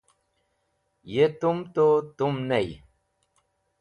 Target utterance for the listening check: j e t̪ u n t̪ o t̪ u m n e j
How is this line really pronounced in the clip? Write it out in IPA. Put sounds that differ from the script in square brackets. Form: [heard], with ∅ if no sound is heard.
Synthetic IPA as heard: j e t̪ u [m] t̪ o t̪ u m n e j